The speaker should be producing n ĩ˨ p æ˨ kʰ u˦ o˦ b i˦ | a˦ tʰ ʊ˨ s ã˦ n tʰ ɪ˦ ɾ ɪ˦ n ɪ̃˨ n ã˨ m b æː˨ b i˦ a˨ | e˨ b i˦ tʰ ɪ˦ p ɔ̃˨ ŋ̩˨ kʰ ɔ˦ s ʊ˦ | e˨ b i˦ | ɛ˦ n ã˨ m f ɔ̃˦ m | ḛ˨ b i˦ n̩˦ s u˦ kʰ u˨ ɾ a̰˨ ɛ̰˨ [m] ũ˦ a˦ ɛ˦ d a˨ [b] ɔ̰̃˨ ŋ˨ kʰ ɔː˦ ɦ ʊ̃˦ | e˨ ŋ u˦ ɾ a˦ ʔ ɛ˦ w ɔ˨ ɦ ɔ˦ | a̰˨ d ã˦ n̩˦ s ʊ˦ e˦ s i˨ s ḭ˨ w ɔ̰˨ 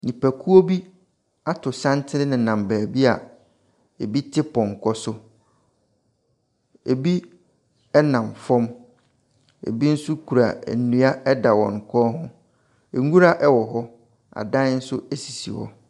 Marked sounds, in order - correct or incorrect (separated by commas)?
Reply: incorrect, incorrect